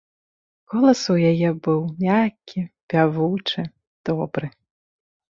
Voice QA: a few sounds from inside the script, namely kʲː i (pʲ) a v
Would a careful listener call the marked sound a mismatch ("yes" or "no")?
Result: no